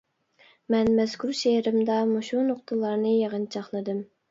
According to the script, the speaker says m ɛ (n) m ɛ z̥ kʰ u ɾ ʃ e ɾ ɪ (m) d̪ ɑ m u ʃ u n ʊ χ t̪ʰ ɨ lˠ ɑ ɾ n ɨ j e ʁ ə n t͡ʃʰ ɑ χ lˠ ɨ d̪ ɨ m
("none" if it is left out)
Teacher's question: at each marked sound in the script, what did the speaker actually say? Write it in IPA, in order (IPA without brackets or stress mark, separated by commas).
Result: n, m